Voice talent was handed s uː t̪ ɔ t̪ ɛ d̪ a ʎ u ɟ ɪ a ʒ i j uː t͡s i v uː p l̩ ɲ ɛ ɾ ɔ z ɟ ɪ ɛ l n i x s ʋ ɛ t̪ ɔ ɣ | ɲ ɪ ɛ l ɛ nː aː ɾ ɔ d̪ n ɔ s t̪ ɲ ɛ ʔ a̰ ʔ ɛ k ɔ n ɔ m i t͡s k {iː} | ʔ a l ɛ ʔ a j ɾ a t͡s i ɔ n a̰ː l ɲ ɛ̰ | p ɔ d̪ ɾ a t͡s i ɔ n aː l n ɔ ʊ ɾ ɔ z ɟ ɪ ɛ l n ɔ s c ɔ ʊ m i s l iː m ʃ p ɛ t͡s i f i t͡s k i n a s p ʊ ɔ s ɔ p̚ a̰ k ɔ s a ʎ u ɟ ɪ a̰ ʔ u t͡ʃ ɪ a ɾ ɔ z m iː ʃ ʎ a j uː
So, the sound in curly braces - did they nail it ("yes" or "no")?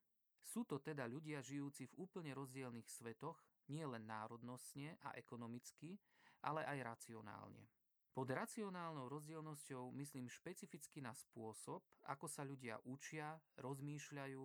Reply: no